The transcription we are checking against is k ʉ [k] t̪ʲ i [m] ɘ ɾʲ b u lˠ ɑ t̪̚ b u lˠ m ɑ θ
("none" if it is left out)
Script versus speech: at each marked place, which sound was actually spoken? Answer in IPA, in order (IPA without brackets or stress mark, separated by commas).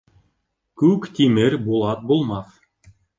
k, m